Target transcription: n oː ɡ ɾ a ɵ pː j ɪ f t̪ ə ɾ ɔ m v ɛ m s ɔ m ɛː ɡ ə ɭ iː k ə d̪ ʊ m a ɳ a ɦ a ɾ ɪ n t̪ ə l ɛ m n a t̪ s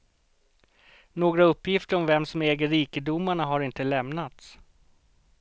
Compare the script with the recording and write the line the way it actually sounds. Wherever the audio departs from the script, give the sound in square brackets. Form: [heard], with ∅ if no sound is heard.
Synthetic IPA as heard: n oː ɡ ɾ a ɵ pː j ɪ f t̪ ə ɾ ɔ m v ɛ m s ɔ m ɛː ɡ ə [ɾ] iː k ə d̪ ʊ m a ɳ a ɦ a ɾ ɪ n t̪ ə l ɛ m n a t̪ s